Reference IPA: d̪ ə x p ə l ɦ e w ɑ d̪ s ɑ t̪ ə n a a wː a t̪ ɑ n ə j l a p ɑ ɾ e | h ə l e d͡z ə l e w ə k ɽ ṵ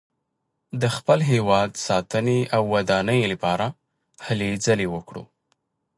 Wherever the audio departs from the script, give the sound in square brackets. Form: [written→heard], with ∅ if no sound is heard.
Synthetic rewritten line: d̪ ə x p ə l ɦ e w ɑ d̪ s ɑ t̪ ə n [a→e] a wː a [t̪→d̪] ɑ n ə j l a p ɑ ɾ [e→a] | h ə l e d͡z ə l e w ə k ɽ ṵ